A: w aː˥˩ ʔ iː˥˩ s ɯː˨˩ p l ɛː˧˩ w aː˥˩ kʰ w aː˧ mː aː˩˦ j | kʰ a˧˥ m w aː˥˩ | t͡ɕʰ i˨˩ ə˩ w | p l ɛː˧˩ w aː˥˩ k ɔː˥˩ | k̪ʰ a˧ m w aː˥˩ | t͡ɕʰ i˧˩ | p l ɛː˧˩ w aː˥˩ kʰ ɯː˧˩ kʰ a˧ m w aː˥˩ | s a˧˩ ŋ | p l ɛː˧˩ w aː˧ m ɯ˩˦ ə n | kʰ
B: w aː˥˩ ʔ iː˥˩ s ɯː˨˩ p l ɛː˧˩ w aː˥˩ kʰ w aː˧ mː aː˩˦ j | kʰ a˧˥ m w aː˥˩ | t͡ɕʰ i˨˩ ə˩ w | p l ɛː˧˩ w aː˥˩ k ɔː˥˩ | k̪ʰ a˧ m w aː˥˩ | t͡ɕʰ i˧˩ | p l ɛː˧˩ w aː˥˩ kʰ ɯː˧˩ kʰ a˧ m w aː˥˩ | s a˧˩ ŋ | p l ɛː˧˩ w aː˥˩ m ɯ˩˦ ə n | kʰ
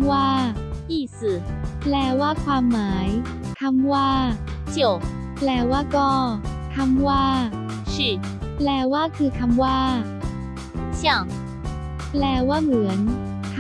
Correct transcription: B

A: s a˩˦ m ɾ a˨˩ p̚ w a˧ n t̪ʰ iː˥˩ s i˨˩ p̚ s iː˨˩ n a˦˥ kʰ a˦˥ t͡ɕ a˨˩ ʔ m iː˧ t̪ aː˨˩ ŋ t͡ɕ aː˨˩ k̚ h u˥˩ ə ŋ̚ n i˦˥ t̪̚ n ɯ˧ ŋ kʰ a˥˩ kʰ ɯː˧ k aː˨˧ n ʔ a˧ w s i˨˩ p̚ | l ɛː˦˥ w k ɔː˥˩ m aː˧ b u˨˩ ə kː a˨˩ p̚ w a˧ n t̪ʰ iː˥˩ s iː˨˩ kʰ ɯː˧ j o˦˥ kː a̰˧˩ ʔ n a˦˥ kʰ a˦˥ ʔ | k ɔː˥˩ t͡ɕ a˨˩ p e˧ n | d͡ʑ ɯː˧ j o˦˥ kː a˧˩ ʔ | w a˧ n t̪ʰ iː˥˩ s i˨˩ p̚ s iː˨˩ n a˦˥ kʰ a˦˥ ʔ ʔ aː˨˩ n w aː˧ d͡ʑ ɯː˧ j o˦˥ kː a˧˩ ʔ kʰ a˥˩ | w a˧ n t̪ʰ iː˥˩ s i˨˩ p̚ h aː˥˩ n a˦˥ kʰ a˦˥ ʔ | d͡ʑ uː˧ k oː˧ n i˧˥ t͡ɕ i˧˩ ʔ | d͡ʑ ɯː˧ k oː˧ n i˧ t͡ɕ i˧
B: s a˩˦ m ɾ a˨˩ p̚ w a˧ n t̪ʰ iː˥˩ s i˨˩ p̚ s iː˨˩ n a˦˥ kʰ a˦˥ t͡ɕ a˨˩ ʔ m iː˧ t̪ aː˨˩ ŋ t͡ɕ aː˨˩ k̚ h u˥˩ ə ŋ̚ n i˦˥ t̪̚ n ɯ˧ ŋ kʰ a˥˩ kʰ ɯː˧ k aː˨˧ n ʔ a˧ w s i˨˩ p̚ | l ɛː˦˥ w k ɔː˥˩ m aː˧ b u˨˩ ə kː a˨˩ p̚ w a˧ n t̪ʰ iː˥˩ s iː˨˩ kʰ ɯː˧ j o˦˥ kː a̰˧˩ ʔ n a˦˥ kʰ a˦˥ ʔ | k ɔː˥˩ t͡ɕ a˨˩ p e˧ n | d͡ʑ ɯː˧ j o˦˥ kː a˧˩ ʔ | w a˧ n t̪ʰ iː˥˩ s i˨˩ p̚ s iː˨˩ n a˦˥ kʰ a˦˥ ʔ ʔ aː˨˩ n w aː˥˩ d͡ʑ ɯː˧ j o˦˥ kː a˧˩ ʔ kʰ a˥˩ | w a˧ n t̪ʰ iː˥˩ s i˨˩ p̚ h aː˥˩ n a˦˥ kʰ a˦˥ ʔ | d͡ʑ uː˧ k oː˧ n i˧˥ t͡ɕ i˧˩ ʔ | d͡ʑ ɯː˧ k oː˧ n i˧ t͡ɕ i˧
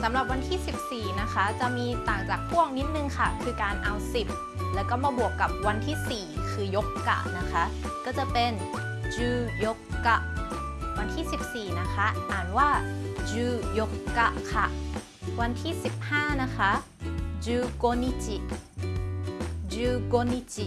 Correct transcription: B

